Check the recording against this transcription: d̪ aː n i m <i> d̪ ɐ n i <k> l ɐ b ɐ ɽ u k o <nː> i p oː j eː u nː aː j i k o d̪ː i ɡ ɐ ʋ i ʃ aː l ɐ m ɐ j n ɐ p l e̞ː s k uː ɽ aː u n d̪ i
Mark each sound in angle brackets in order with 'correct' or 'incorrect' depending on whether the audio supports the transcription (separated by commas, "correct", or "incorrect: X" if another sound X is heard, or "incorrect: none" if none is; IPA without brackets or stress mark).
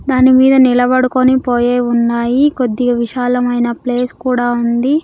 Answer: incorrect: iː, incorrect: none, incorrect: n